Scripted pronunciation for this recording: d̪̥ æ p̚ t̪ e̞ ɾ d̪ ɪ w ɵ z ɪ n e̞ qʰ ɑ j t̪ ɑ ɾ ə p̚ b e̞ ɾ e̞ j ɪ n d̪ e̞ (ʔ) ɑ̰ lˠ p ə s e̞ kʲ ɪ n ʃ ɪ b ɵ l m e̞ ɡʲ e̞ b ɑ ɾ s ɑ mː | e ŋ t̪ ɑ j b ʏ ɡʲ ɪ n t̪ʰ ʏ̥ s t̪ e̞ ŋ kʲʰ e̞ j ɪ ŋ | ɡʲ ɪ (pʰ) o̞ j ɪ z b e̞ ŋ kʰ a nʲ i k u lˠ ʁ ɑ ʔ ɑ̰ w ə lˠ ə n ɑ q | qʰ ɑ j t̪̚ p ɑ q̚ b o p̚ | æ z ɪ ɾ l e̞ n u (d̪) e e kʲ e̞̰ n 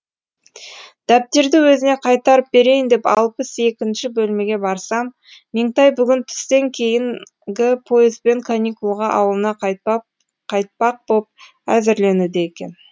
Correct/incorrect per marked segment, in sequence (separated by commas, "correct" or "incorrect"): incorrect, correct, correct